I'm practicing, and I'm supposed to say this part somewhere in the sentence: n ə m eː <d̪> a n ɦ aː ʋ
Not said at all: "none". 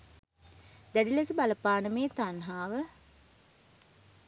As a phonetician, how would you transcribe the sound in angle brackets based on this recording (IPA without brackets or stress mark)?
t̪